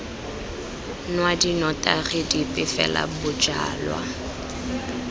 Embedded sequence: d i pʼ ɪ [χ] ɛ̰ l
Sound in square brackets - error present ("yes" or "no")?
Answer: yes